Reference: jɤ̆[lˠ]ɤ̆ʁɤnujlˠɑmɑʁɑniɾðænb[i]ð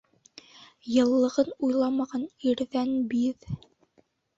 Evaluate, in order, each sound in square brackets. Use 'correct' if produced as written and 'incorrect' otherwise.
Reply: incorrect: lˠː, correct

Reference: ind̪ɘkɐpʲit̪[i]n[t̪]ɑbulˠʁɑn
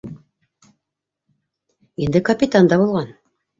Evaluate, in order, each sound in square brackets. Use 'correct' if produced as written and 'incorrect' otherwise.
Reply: incorrect: a, incorrect: d̪

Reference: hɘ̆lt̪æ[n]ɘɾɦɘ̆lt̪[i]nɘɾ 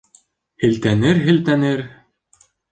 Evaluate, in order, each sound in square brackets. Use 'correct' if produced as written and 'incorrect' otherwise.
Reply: correct, incorrect: æ

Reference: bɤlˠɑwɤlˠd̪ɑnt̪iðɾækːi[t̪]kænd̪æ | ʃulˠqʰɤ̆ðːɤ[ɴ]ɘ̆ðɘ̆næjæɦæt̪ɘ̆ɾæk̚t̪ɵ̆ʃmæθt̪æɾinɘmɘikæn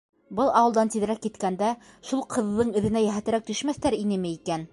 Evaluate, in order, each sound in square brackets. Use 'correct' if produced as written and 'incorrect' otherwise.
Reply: correct, correct

